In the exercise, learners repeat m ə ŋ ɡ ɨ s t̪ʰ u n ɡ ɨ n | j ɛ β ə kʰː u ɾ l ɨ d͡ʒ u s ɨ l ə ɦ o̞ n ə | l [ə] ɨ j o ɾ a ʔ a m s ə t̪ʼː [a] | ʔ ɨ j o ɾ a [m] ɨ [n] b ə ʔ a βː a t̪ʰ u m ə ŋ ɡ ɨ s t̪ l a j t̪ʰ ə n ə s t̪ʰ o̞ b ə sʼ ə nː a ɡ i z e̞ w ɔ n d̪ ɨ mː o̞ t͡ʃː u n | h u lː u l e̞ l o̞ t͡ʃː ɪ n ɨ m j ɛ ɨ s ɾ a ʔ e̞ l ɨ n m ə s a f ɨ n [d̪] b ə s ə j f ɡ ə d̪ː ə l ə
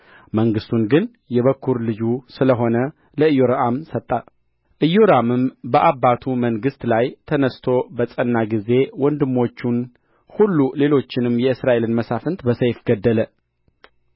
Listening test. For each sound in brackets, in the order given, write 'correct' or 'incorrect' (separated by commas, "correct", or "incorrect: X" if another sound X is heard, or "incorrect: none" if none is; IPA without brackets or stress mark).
correct, correct, correct, incorrect: m, incorrect: t̪